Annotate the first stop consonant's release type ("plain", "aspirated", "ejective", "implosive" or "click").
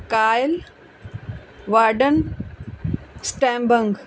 plain